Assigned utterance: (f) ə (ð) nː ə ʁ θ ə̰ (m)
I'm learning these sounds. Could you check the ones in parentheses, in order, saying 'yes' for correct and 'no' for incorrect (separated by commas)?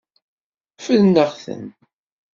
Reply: yes, yes, no